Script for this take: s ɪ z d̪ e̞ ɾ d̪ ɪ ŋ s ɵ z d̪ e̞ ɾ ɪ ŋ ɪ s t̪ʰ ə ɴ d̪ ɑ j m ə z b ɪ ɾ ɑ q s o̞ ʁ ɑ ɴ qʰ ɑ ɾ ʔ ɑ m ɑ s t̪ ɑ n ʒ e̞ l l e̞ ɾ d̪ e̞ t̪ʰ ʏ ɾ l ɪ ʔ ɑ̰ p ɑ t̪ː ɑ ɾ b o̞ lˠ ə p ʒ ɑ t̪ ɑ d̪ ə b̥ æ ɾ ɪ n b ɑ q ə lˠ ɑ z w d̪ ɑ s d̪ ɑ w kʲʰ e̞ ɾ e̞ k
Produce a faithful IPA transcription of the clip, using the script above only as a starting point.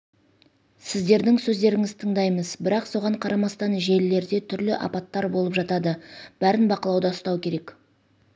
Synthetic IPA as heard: s ɪ z d̪ e̞ ɾ d̪ ɪ ŋ s ɵ z d̪ e̞ ɾ ɪ ŋ ɪ z t̪ʰ ə ɴ d̪ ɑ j m ə z b ɪ ɾ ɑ q s o̞ ʁ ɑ ɴ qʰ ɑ ɾ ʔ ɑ m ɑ s t̪ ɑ n ʒ e̞ l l e̞ ɾ d̪ e̞ t̪ʰ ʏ ɾ l ɪ ʔ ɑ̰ p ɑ t̪ː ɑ ɾ b o̞ lˠ ə p ʒ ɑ t̪ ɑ d̪ ə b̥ æ ɾ ɪ n b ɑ q ə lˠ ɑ w d̪ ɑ s t̪ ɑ w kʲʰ e̞ ɾ e̞ k